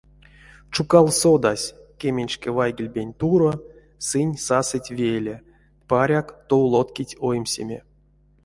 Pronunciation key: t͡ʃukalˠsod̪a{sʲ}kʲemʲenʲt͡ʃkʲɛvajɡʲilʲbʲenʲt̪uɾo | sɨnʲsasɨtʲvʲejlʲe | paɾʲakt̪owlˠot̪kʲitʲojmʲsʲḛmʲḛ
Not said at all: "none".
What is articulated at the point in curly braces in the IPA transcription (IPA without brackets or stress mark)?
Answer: sʲ